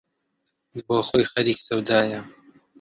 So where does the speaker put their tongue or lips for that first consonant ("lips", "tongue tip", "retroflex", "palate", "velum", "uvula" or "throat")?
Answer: lips